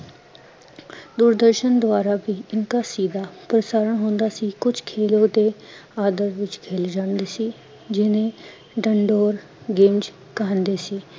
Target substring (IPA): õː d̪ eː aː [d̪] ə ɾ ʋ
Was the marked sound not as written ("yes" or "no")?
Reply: no